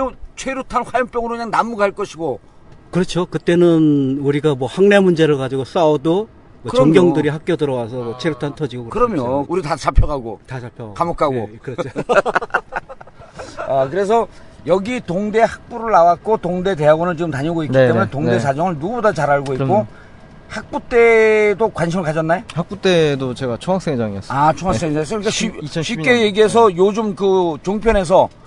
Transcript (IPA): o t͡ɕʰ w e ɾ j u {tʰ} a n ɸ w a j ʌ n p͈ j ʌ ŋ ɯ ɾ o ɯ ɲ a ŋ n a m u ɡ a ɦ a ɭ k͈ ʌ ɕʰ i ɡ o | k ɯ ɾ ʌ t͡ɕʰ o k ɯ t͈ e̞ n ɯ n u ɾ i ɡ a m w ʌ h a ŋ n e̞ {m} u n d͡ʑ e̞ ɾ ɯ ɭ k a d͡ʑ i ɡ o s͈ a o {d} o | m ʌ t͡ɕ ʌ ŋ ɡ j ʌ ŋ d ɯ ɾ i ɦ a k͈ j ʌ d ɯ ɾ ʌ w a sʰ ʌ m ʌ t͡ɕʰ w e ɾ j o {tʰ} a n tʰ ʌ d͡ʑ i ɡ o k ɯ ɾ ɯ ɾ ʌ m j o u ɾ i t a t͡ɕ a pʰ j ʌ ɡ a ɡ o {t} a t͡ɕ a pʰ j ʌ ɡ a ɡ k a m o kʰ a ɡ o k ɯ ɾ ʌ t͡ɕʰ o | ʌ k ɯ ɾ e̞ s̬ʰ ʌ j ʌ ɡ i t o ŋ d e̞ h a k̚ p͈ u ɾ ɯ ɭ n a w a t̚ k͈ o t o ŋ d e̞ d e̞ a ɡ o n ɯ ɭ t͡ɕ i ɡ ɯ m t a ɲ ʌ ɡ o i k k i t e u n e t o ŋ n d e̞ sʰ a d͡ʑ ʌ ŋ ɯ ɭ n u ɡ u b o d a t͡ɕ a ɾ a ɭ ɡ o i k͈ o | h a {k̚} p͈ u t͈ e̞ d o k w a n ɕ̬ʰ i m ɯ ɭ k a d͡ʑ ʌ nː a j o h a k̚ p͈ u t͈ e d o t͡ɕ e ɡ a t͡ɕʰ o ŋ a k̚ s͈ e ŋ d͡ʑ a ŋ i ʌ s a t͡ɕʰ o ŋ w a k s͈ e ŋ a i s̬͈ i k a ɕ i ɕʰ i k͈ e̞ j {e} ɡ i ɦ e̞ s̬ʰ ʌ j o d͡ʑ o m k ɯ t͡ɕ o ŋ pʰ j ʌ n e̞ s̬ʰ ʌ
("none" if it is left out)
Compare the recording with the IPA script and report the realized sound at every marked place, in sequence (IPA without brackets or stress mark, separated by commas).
tʰ, m, d, tʰ, t, k̚, e